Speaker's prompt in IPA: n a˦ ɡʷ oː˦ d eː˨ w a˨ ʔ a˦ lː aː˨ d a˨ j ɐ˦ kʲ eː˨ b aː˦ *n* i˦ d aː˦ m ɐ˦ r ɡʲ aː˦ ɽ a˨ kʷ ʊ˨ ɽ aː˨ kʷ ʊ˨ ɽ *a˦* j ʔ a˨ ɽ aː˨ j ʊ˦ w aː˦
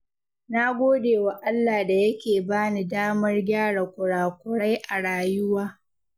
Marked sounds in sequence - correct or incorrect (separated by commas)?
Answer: correct, correct